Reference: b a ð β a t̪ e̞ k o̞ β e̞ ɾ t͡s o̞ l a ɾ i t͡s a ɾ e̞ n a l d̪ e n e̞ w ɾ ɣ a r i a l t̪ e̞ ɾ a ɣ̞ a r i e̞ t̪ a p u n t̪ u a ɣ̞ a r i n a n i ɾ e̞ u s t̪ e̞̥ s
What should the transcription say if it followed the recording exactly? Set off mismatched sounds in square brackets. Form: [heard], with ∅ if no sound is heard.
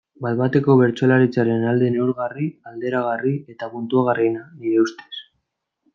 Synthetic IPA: b a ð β a t̪ e̞ k o̞ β e̞ ɾ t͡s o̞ l a ɾ i t͡s a ɾ e̞ n a l d̪ e n e̞ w ɾ ɣ a r i a l [d̪] e̞ ɾ a ɣ̞ a r i e̞ t̪ a p u n t̪ u a ɣ̞ a r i n a n i ɾ e̞ u s t̪ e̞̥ s

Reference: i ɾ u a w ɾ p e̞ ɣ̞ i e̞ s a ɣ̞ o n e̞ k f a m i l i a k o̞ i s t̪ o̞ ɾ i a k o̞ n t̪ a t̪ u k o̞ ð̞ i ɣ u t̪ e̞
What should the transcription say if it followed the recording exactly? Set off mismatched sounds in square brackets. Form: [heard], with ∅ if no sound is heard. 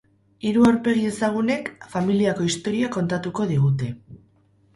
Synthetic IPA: i ɾ u a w ɾ p e̞ ɣ̞ i e̞ s a ɣ̞ [u] n e̞ k f a m i l i a k o̞ i s t̪ o̞ ɾ i a k o̞ n t̪ a t̪ u k o̞ ð̞ i ɣ u t̪ e̞

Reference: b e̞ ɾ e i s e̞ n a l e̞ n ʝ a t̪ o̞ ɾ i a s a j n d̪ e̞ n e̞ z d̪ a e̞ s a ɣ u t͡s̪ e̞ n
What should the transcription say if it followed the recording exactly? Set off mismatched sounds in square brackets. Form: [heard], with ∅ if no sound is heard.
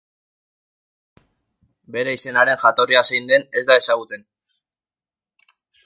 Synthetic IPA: b e̞ ɾ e i s e̞ n a [ɾ] e̞ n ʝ a t̪ o̞ [r] i a s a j n d̪ e̞ n e̞ z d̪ a e̞ s a ɣ u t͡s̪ e̞ n

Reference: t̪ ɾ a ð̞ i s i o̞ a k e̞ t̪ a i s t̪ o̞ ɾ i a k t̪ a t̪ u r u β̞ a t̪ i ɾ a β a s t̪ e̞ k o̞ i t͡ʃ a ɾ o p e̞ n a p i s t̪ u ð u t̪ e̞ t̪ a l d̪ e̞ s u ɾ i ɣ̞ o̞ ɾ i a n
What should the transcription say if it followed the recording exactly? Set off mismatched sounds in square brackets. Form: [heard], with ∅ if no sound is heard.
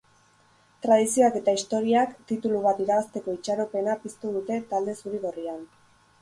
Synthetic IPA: t̪ ɾ a ð̞ i s i o̞ a k e̞ t̪ a i s t̪ o̞ ɾ i a k t̪ [i] t̪ u [l] u β̞ a t̪ i ɾ a β a s t̪ e̞ k o̞ i t͡ʃ a ɾ o p e̞ n a p i s t̪ u ð u t̪ e̞ t̪ a l d̪ e̞ s u ɾ i ɣ̞ o̞ [r] i a n

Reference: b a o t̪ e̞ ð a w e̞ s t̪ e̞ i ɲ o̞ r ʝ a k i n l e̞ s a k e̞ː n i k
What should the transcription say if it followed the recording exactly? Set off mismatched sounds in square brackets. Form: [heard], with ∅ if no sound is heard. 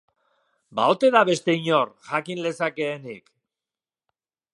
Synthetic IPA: b a o t̪ e̞ ð a [β] e̞ s t̪ e̞ i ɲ o̞ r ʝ a k i n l e̞ s a k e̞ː n i k

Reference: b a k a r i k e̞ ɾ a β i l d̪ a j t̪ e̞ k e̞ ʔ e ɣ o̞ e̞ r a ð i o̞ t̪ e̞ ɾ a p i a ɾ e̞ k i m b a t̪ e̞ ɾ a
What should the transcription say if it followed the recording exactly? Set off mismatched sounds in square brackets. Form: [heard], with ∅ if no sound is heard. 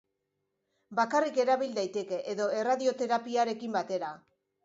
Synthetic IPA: b a k a r i k e̞ ɾ a β i l d̪ a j t̪ e̞ k e̞ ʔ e [ð] o̞ e̞ r a ð i o̞ t̪ e̞ ɾ a p i a ɾ e̞ k i m b a t̪ e̞ ɾ a

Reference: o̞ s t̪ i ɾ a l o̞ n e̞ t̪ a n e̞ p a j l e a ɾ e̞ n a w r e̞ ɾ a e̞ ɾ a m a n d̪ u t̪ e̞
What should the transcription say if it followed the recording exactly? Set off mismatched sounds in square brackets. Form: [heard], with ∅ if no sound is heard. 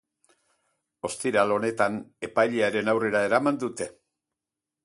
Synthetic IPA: o̞ s t̪ i ɾ a l o̞ n e̞ t̪ a n e̞ p a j [ʎ] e a ɾ e̞ n a w r e̞ ɾ a e̞ ɾ a m a n d̪ u t̪ e̞

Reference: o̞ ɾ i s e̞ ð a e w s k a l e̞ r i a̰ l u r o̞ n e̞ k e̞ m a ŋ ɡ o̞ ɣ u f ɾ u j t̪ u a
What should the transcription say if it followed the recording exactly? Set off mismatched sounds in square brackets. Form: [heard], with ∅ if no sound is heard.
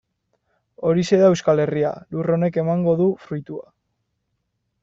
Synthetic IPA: o̞ ɾ i s e̞ ð a e w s k a l e̞ r i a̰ l u r o̞ n e̞ k e̞ m a ŋ ɡ o̞ [ð] u f ɾ u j t̪ u a

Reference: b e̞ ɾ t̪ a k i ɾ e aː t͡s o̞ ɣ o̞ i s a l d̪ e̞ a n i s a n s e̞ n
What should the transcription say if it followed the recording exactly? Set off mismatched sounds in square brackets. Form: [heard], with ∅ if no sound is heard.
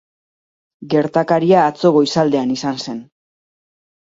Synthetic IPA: [ɡ] e̞ ɾ t̪ a k [a] ɾ [i] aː t͡s o̞ ɣ o̞ i s a l d̪ e̞ a n i s a n s e̞ n

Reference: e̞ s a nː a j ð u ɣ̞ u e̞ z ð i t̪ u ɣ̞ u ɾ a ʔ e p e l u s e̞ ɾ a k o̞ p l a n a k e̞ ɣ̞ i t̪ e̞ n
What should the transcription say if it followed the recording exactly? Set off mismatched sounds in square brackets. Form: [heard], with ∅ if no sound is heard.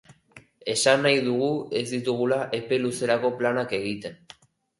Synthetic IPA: e̞ s a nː a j ð u ɣ̞ u e̞ z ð i t̪ u ɣ̞ u [l] a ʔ e p e l u s e̞ ɾ a k o̞ p l a n a k e̞ ɣ̞ i t̪ e̞ n

